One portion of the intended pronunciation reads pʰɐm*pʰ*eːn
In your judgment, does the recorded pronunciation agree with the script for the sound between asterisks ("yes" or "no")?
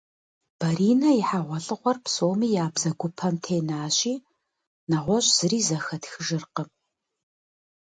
no